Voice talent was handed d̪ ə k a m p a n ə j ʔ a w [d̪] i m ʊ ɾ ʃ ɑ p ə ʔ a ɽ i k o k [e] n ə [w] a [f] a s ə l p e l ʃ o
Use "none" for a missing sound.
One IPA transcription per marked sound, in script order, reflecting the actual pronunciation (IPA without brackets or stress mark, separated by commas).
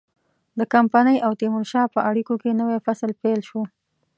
t̪, e, w, f